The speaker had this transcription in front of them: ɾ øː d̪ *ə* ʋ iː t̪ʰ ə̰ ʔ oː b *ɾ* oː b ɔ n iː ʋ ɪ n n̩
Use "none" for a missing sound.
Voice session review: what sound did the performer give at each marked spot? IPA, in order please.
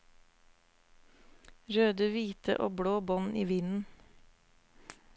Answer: ə, ɽ

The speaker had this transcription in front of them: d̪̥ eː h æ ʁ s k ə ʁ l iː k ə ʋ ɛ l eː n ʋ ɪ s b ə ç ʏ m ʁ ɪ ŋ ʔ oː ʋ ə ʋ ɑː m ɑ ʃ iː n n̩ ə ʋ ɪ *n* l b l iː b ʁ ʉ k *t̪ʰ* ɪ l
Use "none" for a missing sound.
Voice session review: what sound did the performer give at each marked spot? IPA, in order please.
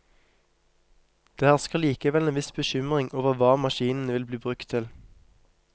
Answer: none, t̪ʰ

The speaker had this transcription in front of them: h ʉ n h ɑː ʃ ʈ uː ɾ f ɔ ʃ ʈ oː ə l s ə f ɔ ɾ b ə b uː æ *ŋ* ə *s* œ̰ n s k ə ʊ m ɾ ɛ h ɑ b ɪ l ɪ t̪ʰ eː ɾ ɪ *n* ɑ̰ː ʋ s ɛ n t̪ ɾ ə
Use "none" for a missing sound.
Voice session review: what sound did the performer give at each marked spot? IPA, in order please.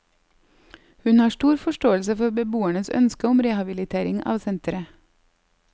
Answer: ɳ, s, ŋ

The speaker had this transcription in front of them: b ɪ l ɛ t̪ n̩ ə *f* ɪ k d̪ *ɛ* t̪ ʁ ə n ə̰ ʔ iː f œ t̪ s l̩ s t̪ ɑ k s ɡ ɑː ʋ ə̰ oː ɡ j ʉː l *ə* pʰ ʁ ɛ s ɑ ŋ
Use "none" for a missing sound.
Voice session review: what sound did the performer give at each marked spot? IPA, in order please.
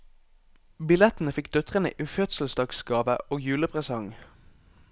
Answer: f, œ, ə

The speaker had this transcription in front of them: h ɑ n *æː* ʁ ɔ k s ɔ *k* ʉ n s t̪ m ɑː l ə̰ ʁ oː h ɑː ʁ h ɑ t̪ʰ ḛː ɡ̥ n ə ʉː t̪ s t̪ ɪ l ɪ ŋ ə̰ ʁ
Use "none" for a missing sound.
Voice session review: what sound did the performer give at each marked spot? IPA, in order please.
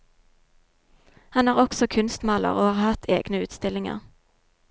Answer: æː, kʰ

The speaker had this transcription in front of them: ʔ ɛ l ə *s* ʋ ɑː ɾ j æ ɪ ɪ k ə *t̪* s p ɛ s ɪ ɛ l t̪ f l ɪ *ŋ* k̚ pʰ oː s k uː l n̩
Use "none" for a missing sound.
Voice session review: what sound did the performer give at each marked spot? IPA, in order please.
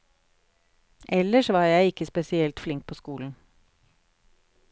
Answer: ʃ, none, ŋ

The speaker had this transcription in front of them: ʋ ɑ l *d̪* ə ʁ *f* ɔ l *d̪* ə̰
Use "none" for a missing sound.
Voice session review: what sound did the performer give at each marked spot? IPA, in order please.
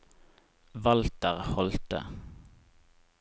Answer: t̪, h, t̪

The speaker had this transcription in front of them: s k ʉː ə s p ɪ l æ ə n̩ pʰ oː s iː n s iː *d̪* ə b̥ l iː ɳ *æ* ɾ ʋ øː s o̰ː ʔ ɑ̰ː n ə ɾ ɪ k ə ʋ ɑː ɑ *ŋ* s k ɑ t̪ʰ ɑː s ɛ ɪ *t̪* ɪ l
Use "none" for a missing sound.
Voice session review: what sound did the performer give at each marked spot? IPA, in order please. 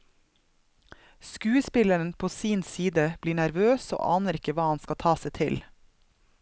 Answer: d̪, æ, n, t̪ʰ

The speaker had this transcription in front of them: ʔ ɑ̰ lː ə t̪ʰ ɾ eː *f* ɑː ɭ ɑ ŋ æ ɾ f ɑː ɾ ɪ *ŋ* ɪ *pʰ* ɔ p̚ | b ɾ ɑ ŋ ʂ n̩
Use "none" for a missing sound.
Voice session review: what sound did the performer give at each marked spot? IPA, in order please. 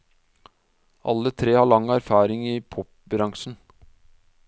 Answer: h, ŋ, pʰ

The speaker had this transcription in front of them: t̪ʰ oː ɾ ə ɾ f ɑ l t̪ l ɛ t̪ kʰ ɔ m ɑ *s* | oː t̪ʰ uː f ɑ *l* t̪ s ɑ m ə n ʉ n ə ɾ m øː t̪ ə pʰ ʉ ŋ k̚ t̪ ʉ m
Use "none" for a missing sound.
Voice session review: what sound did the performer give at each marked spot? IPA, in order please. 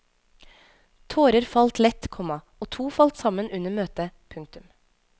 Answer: none, l

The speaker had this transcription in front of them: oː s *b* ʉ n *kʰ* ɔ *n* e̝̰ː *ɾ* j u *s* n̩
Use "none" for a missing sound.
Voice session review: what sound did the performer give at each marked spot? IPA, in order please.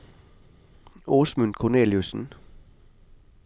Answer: m, kʰ, n, l, s

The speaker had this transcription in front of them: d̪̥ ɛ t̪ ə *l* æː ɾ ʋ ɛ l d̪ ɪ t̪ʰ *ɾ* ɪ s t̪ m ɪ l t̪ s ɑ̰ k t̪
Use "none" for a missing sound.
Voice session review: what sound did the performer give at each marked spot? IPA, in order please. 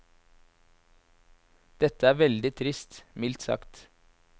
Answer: none, ɾ

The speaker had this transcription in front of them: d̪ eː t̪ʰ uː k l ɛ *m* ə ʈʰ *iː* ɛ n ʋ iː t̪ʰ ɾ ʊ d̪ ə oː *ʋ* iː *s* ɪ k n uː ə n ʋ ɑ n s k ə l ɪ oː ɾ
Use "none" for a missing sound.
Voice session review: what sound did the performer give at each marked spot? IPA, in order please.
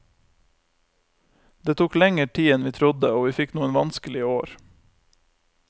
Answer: ŋ, iː, ʋ, f

